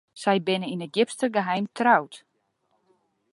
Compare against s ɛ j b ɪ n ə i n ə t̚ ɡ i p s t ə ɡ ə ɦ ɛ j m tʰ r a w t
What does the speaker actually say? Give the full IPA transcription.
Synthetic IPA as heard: s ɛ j b ɪ n ə i n ə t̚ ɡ ɪ p s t ə ɡ ə ɦ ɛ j m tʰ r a w t